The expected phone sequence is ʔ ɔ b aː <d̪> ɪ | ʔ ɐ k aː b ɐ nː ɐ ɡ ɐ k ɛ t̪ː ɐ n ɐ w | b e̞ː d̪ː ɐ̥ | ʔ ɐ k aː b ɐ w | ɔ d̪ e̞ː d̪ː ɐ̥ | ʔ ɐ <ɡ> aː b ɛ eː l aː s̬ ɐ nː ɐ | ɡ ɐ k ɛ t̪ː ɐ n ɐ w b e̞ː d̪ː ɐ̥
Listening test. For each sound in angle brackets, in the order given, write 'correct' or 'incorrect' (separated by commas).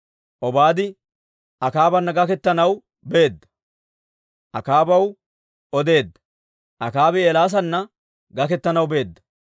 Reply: correct, incorrect